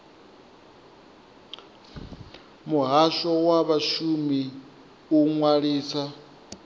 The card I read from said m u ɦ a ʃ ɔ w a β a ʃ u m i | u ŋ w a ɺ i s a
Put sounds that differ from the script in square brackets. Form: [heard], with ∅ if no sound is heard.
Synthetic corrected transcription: m u ɦ a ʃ ɔ w a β a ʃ u m i | u ŋ w a ɺ [iː] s a